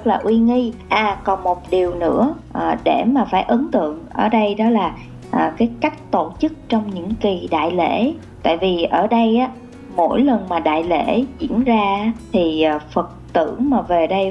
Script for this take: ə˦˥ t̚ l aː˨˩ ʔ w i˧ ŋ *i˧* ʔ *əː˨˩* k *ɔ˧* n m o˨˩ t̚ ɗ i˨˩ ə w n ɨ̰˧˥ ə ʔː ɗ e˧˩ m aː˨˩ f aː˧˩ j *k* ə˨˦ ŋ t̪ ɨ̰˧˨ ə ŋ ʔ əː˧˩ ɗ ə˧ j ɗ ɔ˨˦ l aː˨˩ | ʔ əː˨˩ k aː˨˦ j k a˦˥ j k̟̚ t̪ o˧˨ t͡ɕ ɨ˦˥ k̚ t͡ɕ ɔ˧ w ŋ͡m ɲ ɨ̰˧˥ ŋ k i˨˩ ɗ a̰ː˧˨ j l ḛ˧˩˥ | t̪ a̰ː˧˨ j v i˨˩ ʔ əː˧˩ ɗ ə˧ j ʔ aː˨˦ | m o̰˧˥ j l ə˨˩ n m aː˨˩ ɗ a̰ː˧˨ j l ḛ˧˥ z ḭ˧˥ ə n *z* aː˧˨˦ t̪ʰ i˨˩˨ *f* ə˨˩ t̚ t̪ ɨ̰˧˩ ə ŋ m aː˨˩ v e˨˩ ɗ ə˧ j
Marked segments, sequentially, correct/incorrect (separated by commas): correct, incorrect, incorrect, incorrect, correct, correct